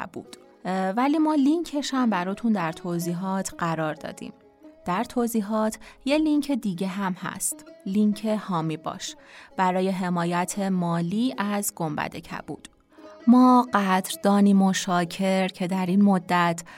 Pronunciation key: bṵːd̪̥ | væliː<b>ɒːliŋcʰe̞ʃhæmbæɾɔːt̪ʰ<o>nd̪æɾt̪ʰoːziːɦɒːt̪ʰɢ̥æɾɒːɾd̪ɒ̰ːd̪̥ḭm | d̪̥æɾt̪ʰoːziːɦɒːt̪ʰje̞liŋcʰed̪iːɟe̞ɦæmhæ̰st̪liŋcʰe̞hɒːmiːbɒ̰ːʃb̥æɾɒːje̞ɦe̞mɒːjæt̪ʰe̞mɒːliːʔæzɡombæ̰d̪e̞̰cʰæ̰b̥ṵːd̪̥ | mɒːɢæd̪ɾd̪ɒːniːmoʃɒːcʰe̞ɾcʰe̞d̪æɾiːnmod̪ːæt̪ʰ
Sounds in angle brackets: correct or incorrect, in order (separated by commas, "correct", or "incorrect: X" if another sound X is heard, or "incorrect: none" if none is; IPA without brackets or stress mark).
incorrect: m, incorrect: u